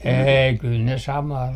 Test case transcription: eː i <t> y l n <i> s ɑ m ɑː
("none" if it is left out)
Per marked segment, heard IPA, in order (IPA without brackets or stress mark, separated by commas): k, e